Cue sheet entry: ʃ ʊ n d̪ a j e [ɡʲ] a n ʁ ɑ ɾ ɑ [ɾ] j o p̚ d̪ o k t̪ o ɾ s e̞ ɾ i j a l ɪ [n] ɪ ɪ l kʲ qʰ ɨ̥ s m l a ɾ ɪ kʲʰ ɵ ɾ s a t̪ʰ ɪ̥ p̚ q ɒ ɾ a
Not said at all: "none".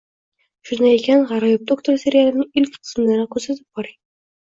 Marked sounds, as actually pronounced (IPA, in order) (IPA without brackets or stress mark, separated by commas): kʲ, none, n